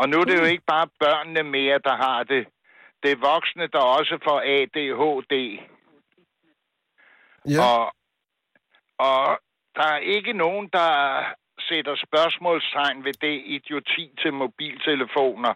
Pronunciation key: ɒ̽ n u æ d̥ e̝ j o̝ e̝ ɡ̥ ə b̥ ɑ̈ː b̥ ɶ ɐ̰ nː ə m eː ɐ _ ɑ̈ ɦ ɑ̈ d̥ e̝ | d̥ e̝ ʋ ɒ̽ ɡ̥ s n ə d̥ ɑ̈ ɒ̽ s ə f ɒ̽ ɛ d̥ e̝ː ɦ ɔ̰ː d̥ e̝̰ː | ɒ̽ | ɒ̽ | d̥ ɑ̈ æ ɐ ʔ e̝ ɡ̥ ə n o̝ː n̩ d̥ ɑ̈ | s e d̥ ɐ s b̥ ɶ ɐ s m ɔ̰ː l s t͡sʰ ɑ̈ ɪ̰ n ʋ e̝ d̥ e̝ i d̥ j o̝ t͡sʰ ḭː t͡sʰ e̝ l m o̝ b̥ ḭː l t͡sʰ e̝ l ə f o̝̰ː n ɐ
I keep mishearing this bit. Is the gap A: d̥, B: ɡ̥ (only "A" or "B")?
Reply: A